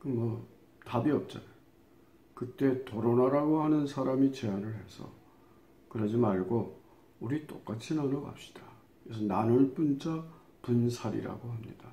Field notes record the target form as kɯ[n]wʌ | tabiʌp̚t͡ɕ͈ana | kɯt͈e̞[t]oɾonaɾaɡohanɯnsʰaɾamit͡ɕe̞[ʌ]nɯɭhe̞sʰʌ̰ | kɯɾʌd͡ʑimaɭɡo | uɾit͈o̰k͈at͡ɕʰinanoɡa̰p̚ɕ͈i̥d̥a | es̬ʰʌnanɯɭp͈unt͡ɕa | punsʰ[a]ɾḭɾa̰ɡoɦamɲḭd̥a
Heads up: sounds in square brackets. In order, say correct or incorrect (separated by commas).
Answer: incorrect, correct, incorrect, correct